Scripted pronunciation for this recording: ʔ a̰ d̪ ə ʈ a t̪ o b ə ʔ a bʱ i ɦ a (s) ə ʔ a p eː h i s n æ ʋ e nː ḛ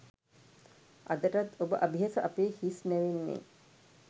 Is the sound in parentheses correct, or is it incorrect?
correct